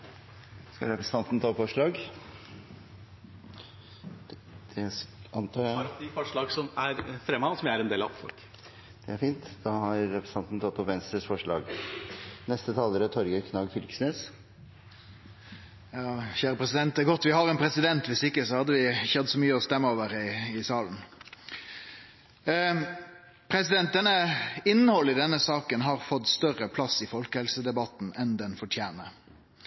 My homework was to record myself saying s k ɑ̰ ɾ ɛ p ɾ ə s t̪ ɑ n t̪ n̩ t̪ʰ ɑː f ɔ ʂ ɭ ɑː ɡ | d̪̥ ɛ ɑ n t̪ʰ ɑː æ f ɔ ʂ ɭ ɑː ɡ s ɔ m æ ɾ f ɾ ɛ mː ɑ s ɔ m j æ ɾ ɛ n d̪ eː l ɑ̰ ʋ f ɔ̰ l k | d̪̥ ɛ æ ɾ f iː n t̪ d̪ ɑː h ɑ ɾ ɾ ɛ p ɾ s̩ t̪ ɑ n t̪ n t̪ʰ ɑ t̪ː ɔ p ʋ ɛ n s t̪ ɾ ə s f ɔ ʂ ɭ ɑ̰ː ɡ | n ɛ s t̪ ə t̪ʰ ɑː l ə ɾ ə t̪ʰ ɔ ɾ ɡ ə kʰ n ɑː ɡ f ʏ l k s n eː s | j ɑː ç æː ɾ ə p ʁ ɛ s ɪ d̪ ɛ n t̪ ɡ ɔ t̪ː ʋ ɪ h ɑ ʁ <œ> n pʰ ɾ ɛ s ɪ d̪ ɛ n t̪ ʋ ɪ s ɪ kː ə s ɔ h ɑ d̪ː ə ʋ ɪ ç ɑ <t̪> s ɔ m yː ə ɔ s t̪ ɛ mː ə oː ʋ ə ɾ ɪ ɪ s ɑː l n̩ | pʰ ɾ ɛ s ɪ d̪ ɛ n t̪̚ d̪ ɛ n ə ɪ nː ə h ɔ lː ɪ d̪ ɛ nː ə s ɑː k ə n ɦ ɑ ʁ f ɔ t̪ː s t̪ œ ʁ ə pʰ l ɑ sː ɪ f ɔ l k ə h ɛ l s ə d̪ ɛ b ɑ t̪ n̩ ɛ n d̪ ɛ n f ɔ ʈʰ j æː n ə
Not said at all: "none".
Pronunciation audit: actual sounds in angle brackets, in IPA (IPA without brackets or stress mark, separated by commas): ɛ, d̪